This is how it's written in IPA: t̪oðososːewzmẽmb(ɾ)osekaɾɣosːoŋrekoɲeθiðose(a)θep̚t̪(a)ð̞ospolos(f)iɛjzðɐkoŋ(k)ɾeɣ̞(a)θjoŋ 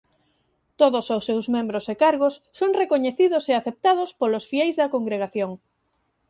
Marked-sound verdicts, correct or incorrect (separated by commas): correct, correct, correct, correct, incorrect, correct